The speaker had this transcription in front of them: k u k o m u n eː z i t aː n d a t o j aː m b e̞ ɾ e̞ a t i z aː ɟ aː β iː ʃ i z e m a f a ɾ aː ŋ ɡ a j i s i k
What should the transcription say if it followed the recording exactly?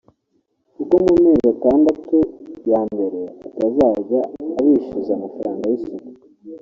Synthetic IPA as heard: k u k o m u m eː z a t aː n d a t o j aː m b e̞ ɾ e̞ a t a z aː ɟ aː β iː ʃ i z a m a f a ɾ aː ŋ ɡ a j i s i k

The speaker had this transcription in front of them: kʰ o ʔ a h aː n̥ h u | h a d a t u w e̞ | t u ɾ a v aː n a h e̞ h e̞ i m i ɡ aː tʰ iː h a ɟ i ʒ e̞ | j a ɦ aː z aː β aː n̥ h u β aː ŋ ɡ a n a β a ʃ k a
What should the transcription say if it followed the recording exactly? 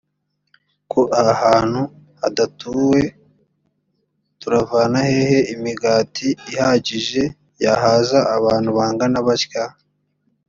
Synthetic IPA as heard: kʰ o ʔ a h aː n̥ h u | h a d a t u w e̞ | t u ɾ a v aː n a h e̞ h e̞ i m i ɡ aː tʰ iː h a ɟ i ʒ e̞ | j a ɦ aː z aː β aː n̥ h u β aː ŋ ɡ a n a β a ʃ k a

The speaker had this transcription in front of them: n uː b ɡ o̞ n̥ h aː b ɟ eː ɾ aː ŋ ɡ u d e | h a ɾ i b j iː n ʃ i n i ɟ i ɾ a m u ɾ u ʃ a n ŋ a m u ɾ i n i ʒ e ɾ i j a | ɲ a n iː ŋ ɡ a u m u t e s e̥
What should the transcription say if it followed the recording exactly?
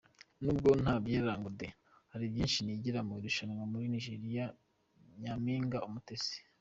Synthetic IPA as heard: n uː b ɡ o̞ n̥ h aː b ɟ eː ɾ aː ŋ ɡ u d e | h a ɾ i b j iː n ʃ i n i ɟ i ɾ a m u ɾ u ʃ a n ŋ a m u ɾ i n i ʒ e ɾ i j a | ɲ a m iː ŋ ɡ a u m u t e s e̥

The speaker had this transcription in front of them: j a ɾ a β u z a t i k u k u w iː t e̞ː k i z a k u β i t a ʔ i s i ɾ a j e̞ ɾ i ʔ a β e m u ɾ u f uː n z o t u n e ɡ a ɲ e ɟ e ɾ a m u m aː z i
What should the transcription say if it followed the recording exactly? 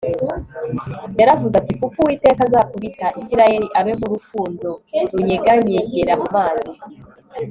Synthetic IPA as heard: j a ɾ a v u z a t i k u k u w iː t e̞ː k a z a k u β i t a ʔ i s i ɾ a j e̞ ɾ i ʔ a β e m u ɾ u f uː n z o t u ɲ e ɡ a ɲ e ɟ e ɾ a m u m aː z i

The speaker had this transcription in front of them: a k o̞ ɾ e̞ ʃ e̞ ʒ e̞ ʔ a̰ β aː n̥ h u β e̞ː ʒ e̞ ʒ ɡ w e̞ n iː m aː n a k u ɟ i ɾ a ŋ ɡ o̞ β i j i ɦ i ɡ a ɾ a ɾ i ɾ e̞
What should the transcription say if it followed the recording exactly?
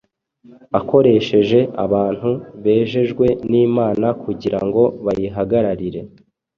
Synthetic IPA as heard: a k o̞ ɾ e̞ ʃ e̞ ʒ e̞ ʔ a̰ β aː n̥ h u β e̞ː ʒ e̞ ʒ ɡ w e̞ n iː m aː n a k u ɟ i ɾ a ŋ ɡ o̞ β a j i ɦ a ɡ a ɾ a ɾ i ɾ e̞

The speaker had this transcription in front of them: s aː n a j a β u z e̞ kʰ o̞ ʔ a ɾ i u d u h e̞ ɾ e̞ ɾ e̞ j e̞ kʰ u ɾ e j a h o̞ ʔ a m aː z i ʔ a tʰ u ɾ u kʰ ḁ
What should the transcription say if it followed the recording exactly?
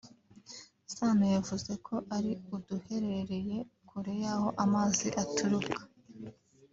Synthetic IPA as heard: s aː n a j a v u z e̞ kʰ o̞ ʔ a ɾ i u d u h e̞ ɾ e̞ ɾ e̞ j e̞ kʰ u ɾ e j a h o̞ ʔ a m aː z i ʔ a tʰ u ɾ u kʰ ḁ

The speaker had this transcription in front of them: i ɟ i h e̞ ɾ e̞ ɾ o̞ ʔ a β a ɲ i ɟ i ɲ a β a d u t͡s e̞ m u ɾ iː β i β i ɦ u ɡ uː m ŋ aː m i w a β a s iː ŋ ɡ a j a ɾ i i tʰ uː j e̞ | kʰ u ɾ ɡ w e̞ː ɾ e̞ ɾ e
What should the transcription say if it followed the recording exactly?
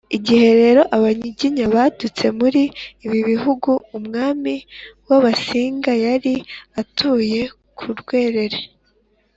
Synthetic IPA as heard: i ɟ i h e̞ ɾ e̞ ɾ o̞ ʔ a β a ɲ i ɟ i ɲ a β a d u t͡s e̞ m u ɾ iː β i β i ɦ u ɡ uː m ŋ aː m i w a β a s iː ŋ ɡ a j a ɾ i a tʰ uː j e̞ | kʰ u ɾ ɡ w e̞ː ɾ e̞ ɾ e

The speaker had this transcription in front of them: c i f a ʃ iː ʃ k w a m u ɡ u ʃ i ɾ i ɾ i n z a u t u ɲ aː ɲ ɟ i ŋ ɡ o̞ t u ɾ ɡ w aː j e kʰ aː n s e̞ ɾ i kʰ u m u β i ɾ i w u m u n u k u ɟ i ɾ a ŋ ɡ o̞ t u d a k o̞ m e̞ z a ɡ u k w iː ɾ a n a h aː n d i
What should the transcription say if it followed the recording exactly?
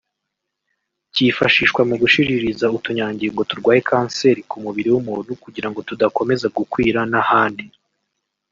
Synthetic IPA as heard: c i f a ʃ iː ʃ k w a m u ɡ u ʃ i ɾ i ɾ i z a u t u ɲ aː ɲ ɟ i ŋ ɡ o̞ t u ɾ ɡ w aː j e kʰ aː n s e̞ ɾ i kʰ u m u β i ɾ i w u m u n u k u ɟ i ɾ a ŋ ɡ o̞ t u d a k o̞ m e̞ z a ɡ u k w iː ɾ a n a h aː n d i

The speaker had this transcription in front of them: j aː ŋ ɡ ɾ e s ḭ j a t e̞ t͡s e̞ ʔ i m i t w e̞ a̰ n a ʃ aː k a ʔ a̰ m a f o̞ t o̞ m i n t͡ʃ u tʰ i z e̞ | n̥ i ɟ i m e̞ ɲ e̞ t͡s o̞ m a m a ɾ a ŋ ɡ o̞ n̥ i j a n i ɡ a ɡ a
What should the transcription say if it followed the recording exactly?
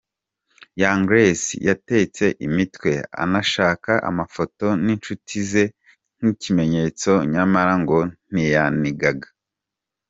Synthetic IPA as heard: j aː ŋ ɡ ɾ e s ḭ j a t e̞ t͡s e̞ ʔ i m i t w e̞ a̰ n a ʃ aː k a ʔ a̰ m a f o̞ t o̞ n i n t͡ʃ u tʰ i z e̞ | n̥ i c i m e̞ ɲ e̞ t͡s o̞ ɲ a m a ɾ a ŋ ɡ o̞ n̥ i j a n i ɡ a ɡ a

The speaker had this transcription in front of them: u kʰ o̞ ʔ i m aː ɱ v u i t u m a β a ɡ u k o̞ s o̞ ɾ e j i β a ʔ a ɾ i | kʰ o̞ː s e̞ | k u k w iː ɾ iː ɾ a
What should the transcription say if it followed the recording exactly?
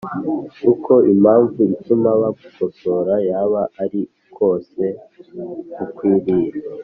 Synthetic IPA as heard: u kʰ o̞ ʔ i m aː ɱ v u i t u m a β a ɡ u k o̞ s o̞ ɾ a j a β a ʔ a ɾ i | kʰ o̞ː s e̞ | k u k w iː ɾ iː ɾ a

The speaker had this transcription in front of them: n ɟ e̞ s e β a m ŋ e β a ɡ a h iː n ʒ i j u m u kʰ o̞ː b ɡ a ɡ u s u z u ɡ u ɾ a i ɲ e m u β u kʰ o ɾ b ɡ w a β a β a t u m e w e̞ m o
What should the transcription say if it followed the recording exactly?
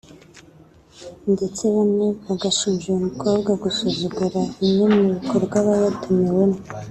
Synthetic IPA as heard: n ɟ e̞ t͡s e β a m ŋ e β a ɡ a ʃ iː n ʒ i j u m u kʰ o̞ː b ɡ a ɡ u s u z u ɡ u ɾ a i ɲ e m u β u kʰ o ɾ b ɡ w a β a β a t u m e w e̞ m o

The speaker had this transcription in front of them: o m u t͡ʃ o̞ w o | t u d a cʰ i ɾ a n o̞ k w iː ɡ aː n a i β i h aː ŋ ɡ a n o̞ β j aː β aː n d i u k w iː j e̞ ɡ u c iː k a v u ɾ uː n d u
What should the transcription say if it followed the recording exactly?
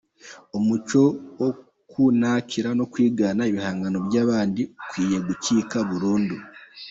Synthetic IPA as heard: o m u t͡ʃ o̞ w o | k u n a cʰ i ɾ a n o̞ k w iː ɡ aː n a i β i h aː ŋ ɡ a n o̞ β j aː β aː n d i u k w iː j e̞ ɡ u c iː k a β u ɾ uː n d u

